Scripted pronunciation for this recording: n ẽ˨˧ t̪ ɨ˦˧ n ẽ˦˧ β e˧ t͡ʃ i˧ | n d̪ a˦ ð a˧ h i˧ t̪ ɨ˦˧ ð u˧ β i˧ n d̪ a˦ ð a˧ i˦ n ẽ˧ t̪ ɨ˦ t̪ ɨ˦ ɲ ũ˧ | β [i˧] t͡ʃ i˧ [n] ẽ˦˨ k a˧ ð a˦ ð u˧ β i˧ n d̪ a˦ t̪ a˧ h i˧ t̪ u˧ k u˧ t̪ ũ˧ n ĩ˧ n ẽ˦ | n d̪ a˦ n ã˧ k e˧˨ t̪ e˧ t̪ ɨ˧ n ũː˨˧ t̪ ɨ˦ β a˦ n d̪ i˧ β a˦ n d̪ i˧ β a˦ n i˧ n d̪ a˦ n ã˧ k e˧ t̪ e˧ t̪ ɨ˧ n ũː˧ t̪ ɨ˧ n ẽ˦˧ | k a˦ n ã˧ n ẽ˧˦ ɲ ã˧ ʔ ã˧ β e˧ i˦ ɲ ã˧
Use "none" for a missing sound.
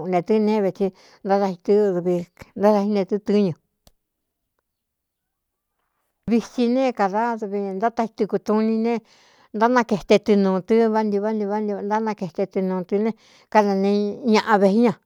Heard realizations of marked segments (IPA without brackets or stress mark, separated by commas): i˧, n